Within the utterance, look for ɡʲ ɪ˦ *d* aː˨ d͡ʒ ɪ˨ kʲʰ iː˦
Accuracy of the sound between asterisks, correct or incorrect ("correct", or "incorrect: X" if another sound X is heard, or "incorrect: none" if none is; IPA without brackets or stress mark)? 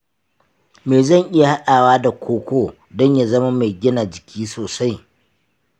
incorrect: n